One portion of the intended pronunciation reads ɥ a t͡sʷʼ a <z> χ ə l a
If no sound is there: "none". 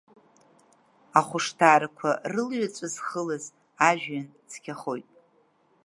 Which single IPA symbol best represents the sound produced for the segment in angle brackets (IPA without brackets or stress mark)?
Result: z